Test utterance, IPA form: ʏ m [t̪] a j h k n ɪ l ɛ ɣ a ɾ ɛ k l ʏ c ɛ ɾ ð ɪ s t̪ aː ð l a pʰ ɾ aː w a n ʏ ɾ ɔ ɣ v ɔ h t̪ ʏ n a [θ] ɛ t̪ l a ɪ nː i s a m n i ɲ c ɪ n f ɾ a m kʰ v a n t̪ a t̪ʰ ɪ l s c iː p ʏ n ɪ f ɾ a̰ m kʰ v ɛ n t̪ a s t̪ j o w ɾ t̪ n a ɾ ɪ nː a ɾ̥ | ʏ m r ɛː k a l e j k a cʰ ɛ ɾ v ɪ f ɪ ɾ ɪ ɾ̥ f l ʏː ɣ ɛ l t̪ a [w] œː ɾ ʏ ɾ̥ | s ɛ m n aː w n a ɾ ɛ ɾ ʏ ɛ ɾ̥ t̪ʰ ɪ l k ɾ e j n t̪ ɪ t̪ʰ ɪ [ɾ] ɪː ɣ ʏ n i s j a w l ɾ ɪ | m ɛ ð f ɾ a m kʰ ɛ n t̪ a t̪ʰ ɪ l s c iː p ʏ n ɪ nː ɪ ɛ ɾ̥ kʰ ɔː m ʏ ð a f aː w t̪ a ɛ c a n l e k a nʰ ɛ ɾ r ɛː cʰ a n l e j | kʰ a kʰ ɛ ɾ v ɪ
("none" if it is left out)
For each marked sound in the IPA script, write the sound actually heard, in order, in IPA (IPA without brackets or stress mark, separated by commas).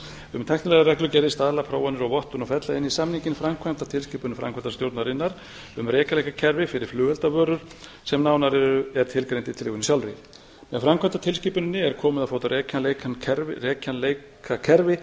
t̪ʰ, f, v, l